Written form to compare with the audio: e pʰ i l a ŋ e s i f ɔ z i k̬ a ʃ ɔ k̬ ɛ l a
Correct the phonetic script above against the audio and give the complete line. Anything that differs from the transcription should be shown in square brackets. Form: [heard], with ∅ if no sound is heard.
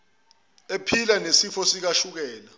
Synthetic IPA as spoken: e pʰ i l a [n] e s i f ɔ [s] i k̬ a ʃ [u] k̬ [ɛː] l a